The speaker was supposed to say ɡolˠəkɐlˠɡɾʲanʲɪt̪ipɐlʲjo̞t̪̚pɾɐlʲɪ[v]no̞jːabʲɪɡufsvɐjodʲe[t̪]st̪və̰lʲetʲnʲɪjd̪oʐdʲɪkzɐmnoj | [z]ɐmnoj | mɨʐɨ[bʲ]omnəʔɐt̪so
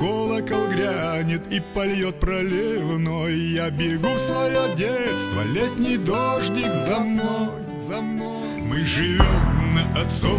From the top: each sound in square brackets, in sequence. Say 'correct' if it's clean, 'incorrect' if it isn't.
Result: correct, correct, correct, incorrect

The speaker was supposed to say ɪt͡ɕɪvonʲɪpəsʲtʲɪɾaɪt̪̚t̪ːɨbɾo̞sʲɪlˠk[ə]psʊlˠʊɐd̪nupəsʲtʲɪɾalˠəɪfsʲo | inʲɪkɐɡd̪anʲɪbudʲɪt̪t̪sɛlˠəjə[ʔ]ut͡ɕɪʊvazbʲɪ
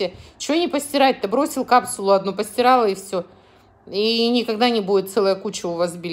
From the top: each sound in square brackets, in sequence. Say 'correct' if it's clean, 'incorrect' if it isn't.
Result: incorrect, incorrect

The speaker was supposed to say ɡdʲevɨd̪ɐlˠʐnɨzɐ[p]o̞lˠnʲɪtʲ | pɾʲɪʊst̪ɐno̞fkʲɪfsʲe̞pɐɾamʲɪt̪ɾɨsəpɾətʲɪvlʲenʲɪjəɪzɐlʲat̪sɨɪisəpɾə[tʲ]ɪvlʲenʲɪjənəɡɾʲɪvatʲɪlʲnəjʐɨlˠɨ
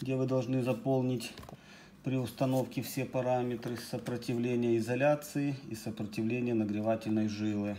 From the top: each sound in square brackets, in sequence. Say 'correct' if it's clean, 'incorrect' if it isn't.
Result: correct, correct

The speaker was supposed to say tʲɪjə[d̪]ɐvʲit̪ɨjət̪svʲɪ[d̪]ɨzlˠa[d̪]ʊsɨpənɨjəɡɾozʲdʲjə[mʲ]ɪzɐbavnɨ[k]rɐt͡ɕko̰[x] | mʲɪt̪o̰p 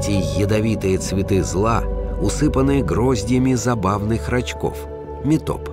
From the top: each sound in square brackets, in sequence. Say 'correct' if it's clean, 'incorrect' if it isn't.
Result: correct, incorrect, incorrect, correct, incorrect, incorrect

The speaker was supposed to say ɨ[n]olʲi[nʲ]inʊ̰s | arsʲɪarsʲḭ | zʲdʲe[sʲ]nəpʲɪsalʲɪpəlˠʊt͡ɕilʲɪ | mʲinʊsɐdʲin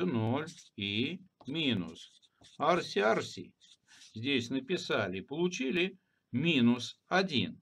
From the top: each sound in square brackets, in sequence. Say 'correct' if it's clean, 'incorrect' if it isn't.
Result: correct, incorrect, correct

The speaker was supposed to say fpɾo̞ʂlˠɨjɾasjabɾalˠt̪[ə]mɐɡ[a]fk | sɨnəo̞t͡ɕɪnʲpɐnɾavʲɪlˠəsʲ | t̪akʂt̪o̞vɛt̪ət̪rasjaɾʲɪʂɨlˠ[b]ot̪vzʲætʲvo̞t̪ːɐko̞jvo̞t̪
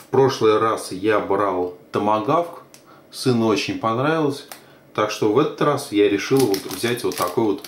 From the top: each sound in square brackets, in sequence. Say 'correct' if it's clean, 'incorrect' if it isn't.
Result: correct, correct, incorrect

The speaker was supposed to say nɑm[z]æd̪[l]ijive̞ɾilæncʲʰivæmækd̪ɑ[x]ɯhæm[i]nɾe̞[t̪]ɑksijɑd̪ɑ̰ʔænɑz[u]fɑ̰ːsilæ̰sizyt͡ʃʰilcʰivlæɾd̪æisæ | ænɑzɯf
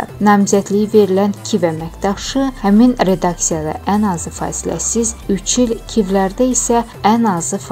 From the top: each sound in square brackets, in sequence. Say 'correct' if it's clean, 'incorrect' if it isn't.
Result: correct, correct, incorrect, correct, incorrect, incorrect

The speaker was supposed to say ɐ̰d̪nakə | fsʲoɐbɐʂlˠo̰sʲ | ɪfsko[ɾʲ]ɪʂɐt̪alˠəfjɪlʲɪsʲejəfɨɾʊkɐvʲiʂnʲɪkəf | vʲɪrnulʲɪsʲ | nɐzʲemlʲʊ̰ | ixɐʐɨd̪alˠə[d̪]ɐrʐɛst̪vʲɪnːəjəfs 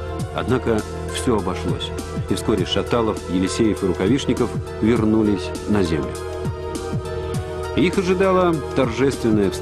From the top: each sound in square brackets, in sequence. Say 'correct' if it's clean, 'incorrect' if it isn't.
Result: correct, incorrect

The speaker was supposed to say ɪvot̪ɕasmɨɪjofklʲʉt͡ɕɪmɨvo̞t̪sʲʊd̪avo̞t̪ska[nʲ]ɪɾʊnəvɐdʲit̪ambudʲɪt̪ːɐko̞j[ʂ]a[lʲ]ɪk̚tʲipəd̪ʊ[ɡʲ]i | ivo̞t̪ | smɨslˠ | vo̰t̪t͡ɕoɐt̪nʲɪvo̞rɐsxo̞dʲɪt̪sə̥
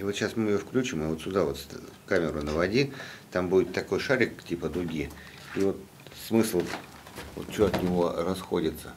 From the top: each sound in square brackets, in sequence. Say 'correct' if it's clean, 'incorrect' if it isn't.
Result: incorrect, correct, incorrect, correct

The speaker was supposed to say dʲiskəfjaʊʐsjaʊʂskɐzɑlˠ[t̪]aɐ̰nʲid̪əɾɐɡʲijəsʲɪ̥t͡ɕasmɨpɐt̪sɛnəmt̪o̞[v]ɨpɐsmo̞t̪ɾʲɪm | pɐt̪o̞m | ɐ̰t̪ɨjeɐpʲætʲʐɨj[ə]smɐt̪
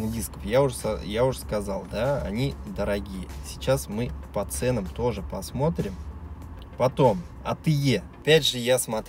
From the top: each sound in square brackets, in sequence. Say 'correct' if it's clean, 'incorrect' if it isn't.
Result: incorrect, incorrect, incorrect

